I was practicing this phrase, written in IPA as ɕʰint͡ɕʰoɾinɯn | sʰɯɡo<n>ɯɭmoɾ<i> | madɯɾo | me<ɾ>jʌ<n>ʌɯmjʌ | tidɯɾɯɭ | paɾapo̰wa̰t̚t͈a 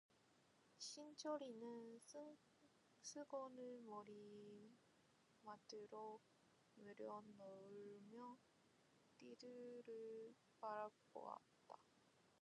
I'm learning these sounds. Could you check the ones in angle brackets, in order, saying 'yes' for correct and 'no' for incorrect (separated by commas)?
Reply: yes, yes, yes, yes